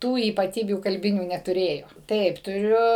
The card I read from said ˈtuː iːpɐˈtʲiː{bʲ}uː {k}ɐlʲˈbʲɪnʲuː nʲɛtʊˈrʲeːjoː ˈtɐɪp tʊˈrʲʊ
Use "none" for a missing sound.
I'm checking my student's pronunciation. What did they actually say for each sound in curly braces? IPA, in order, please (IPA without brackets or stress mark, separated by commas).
bʲ, k